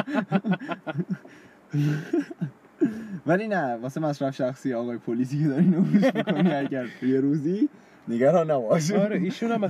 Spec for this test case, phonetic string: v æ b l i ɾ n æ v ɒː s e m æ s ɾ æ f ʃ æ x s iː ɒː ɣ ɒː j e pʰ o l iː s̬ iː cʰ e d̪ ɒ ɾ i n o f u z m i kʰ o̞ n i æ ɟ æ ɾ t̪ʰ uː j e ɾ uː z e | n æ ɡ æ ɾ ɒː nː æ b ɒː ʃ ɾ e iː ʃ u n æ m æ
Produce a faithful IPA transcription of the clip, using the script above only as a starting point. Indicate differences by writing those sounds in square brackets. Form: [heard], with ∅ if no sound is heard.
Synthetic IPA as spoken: v æ [∅] l i [∅] n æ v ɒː s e m æ s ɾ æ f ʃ æ x s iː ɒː ɣ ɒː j e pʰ o l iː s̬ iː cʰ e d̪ ɒ ɾ i n o f u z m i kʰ o̞ n i æ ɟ æ ɾ t̪ʰ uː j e ɾ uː z [i] | n [e] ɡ æ ɾ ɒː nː æ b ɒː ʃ ɾ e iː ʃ u n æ m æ